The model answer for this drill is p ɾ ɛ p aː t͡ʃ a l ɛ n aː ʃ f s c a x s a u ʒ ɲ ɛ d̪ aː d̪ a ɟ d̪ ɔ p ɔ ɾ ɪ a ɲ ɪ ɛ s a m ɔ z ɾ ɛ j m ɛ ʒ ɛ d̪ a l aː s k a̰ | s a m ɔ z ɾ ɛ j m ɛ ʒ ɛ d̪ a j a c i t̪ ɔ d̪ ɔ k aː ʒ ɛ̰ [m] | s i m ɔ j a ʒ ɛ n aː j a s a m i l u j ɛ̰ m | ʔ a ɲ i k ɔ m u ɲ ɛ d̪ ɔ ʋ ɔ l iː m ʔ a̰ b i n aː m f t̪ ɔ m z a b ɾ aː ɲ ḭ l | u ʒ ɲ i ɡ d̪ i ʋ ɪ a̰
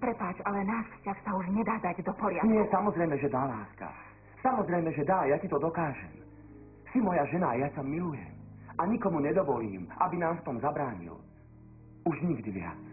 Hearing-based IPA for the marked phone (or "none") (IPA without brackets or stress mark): m